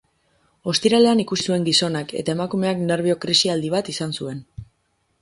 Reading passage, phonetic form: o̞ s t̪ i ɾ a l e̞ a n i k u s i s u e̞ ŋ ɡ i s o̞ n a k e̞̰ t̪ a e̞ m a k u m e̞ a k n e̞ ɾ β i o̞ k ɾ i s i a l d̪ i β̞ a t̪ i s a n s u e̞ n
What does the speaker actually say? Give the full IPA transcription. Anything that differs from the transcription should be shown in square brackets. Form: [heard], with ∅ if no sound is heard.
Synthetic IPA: o̞ s t̪ i ɾ a l e̞ a n i k u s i s u e̞ ŋ ɡ i s o̞ n a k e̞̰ t̪ a e̞ m a k u m e̞ a k n e̞ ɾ β i o̞ k ɾ i s i a l d̪ i β̞ a t̪ i s a n s u e̞ n